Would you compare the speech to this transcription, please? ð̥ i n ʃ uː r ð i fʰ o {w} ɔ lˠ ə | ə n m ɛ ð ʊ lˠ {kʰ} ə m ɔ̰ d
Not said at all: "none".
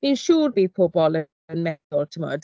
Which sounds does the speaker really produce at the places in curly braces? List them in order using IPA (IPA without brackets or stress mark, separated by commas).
b, tʰ